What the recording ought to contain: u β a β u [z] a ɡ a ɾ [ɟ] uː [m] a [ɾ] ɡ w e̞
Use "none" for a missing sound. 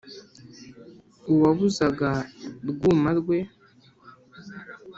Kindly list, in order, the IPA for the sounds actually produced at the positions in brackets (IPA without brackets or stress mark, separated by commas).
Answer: z, ɡ, m, ɾ